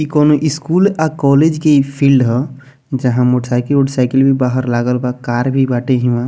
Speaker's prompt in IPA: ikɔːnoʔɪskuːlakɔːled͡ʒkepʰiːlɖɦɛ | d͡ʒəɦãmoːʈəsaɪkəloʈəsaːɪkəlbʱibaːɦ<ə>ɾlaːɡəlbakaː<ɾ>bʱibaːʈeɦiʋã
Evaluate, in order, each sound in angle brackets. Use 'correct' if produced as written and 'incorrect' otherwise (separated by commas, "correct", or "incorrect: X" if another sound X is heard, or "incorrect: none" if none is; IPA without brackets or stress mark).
correct, correct